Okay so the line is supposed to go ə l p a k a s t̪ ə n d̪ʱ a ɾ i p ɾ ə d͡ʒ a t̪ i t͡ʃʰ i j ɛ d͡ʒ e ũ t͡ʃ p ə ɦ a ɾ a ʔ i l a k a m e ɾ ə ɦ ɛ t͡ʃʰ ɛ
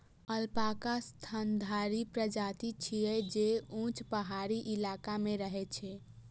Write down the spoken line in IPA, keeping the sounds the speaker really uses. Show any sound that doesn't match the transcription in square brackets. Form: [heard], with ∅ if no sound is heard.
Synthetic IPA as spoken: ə l p a k a s [t̪ʰ] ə n d̪ʱ a ɾ i p ɾ ə d͡ʒ a t̪ i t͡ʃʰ i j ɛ d͡ʒ e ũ t͡ʃ p ə ɦ a ɾ [i] ʔ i l a k a m e ɾ ə ɦ ɛ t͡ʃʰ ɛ